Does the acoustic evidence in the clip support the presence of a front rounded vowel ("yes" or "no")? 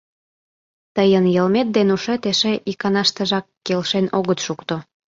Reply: no